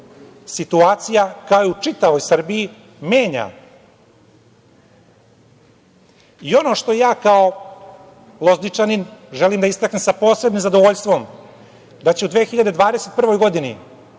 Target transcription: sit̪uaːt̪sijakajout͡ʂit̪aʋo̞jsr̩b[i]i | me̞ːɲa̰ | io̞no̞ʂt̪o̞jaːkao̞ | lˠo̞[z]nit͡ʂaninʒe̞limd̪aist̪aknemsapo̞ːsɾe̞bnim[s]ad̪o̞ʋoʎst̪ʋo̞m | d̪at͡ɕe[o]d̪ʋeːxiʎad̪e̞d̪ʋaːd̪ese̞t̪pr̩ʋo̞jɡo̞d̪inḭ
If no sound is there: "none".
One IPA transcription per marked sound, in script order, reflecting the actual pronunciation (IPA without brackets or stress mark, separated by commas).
i, z, z, u